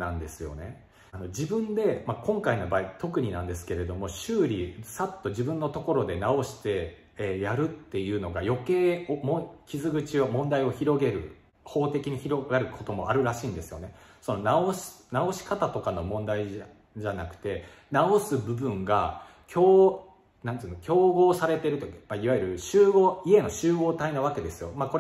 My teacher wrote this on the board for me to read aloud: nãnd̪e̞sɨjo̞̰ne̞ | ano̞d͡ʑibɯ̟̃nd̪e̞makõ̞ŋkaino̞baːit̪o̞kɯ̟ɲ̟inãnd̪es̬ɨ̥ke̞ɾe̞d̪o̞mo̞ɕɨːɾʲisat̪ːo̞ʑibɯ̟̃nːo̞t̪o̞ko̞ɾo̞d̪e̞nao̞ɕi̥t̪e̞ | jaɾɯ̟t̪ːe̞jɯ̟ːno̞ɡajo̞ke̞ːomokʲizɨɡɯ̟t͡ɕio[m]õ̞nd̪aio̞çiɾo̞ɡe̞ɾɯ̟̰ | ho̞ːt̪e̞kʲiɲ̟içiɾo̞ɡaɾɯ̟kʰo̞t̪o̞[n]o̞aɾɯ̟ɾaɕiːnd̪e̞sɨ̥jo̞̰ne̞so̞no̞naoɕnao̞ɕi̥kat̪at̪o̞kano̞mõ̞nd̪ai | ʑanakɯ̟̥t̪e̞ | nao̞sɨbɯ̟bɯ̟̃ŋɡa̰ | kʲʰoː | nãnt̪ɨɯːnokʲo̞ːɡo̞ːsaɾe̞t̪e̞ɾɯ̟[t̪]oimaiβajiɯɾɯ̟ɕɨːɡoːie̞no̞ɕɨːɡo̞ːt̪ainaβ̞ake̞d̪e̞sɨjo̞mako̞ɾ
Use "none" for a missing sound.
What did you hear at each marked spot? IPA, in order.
m, m, t̪

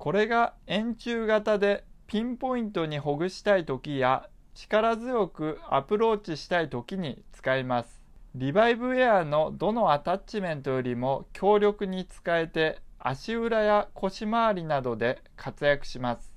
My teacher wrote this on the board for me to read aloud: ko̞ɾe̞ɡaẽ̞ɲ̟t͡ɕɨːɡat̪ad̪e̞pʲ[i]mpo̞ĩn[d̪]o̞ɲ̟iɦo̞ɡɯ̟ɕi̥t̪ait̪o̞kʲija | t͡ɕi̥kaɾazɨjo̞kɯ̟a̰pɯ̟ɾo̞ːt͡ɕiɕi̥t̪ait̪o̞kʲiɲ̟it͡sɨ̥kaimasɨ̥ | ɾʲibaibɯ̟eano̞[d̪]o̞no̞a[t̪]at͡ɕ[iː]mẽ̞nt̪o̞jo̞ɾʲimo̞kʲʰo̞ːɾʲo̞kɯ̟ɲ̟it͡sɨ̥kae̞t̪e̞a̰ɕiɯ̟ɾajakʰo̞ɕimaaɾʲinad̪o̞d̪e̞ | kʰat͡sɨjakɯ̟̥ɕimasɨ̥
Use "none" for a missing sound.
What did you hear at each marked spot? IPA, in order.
ĩ, t̪, d̪, t̪, i

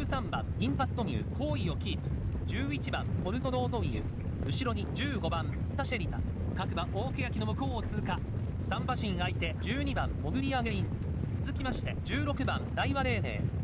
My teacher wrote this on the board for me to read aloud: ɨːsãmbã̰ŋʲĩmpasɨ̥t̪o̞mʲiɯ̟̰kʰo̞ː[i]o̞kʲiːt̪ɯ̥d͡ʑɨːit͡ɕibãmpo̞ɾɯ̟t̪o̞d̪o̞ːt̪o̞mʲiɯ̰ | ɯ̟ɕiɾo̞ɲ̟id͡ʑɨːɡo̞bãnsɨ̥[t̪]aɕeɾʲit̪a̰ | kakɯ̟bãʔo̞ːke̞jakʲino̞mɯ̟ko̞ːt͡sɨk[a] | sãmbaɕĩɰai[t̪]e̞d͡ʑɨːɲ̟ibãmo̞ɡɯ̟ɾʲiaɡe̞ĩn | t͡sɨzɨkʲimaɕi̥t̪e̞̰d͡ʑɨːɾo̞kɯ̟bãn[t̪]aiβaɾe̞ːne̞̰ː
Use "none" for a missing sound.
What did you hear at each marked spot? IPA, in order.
i, t̪, a, t̪, d̪

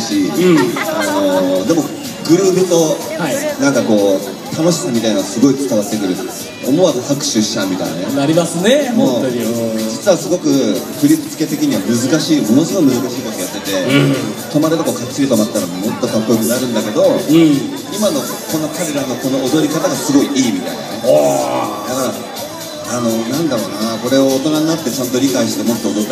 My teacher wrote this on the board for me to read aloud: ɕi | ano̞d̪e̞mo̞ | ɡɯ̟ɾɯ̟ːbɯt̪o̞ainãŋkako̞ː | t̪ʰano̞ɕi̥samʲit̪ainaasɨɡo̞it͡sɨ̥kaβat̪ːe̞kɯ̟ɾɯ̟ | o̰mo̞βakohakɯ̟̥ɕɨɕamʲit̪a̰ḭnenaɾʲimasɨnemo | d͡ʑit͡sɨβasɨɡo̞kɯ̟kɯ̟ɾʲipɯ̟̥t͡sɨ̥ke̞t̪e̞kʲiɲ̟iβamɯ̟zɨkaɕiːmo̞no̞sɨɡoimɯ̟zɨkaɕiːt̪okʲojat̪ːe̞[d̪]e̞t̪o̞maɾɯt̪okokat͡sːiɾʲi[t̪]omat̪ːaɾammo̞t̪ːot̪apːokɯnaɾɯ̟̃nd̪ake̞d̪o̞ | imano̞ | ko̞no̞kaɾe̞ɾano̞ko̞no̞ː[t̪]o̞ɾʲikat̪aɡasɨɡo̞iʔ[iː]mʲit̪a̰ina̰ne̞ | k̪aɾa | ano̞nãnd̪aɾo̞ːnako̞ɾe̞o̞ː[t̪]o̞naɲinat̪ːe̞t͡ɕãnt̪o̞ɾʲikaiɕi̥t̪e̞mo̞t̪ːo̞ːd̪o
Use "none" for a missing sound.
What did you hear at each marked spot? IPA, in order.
t̪, t̪, d̪, iː, t̪

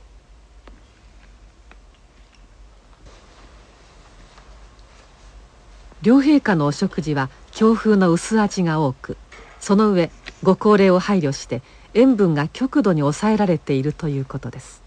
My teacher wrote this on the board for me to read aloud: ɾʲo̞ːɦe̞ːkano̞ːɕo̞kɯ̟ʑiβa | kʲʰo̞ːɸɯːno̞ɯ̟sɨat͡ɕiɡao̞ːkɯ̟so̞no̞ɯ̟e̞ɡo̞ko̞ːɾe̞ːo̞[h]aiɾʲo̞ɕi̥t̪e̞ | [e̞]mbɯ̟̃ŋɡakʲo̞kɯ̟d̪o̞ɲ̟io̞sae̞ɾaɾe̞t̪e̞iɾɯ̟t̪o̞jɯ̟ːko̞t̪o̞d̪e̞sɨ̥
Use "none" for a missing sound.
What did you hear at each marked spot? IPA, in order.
h, ẽ̞

